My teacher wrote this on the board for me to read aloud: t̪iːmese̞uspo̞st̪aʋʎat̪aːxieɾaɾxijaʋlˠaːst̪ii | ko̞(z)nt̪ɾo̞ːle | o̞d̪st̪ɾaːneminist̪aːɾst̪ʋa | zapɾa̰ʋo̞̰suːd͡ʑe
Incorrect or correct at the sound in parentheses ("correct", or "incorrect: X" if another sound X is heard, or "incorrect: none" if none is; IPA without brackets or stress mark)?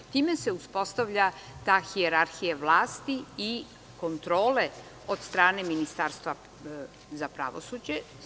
incorrect: none